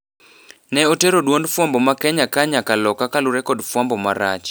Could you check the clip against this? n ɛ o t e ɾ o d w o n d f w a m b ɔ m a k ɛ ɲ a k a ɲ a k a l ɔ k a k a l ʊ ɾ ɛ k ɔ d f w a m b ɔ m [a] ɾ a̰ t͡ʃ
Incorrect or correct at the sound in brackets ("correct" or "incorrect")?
correct